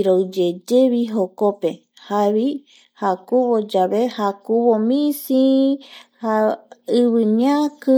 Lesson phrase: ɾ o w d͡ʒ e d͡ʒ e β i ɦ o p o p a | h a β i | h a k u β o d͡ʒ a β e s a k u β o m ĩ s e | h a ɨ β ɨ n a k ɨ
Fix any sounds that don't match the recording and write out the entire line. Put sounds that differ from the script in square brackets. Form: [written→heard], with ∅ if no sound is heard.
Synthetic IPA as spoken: ɾ o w d͡ʒ e d͡ʒ e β i ɦ o [p→k] o p [a→e] | h a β i | h a k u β o d͡ʒ a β e [s→h] a k u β o m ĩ s [e→i] | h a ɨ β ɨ [n→ɲ] a k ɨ